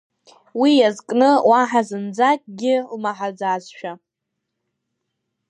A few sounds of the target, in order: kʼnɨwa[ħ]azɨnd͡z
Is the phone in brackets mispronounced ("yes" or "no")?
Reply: no